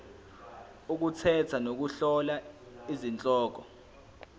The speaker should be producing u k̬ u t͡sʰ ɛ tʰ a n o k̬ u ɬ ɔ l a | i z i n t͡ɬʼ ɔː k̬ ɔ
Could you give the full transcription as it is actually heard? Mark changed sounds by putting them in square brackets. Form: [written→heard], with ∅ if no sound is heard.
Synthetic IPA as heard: u k̬ u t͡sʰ ɛ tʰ a n o k̬ u ɬ ɔ l a | i z i n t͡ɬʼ ɔː k̬ ɔ